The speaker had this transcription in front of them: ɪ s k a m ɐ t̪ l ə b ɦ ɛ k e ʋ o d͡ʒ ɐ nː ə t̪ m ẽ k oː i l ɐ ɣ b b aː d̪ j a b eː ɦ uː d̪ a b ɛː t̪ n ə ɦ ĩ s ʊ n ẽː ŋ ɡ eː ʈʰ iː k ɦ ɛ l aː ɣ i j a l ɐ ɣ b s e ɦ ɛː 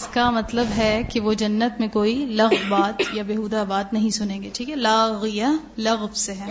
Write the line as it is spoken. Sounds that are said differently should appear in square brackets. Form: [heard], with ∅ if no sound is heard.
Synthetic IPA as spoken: ɪ s k a m ɐ t̪ l ə b ɦ ɛ k e ʋ o d͡ʒ ɐ nː ə t̪ m ẽ k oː i l ɐ ɣ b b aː [t̪] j a b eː ɦ uː d̪ a b [aː] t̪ n [ɐ] ɦ ĩ s ʊ n ẽː ŋ ɡ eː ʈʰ iː k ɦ ɛ l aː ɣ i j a l ɐ ɣ b s e ɦ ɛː